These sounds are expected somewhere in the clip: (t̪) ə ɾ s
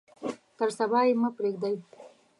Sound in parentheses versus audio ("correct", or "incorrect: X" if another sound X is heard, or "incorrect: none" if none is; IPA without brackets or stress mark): correct